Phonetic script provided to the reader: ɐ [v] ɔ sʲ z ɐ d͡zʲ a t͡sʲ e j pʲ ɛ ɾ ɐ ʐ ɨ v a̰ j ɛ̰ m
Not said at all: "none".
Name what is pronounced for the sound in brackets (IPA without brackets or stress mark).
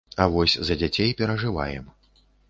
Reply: v